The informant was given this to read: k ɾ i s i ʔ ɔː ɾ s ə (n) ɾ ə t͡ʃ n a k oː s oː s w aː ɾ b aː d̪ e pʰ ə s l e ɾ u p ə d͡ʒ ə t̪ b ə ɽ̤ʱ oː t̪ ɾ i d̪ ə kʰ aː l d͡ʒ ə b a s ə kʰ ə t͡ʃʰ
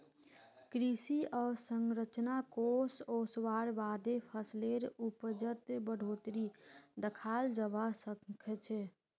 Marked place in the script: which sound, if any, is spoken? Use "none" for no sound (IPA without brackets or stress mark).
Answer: ŋ